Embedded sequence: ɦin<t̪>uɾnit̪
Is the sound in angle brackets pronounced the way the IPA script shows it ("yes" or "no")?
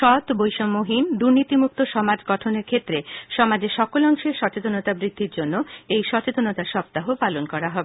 no